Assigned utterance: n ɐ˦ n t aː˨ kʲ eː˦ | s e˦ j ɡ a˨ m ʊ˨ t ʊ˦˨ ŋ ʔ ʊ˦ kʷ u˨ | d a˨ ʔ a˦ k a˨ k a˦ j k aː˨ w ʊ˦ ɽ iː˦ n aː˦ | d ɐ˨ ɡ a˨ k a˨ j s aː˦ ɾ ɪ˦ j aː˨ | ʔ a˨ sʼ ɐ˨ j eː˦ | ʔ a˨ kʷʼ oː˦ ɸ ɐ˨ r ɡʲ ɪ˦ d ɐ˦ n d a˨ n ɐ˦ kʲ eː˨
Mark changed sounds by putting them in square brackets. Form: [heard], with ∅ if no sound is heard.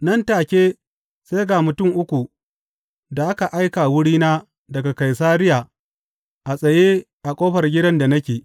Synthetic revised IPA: n ɐ˦ n t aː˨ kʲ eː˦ | s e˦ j ɡ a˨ m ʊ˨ t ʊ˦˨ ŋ ʔ ʊ˦ kʷ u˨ | d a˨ ʔ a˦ k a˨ [ʔ] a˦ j k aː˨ w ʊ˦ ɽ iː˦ n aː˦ | d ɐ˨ ɡ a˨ k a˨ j s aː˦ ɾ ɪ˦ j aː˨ | ʔ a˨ sʼ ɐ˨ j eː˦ | ʔ a˨ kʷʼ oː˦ ɸ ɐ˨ r ɡʲ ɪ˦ d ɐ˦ n d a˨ n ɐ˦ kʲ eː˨